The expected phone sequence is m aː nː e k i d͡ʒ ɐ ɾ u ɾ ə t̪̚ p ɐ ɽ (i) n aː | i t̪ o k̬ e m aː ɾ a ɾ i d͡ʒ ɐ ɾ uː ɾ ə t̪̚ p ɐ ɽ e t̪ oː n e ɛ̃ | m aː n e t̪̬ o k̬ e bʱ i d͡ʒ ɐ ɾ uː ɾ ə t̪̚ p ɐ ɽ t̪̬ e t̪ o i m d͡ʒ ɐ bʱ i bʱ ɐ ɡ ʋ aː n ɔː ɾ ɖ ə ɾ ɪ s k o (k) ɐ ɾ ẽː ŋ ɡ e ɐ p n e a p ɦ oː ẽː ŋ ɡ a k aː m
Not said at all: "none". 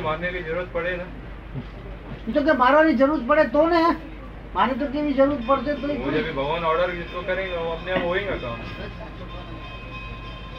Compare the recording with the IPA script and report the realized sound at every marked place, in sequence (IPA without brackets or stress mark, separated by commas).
e, k